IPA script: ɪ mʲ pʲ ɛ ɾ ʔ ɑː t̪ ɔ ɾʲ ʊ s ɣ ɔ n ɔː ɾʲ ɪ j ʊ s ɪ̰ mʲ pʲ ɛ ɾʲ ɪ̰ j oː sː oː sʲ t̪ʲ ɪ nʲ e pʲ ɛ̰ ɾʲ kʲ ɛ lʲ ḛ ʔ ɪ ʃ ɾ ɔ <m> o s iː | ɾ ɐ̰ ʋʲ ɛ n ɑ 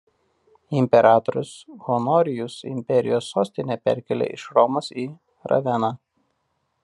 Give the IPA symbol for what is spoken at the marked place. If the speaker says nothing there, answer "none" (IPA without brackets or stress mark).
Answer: m